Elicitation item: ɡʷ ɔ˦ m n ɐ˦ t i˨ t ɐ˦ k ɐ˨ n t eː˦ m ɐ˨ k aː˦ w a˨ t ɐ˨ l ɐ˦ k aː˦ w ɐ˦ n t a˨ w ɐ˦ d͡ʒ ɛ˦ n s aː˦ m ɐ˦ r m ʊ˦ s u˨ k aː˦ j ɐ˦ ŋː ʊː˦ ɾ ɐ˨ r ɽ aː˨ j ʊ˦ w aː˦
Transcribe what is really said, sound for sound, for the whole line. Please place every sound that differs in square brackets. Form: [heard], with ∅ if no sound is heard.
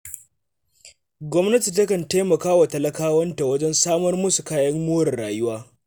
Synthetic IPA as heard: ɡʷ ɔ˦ m n ɐ˦ t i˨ t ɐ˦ k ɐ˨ n t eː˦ m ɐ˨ k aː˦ w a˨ t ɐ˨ l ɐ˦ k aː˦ w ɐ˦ n t a˨ w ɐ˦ d͡ʒ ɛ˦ n s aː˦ m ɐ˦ r m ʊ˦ s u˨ k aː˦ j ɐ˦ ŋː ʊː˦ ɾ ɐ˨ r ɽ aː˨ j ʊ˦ w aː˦